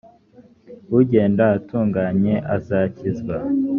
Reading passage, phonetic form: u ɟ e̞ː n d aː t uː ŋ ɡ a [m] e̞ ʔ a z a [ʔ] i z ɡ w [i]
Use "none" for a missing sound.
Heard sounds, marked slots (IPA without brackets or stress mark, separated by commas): ɲ, c, a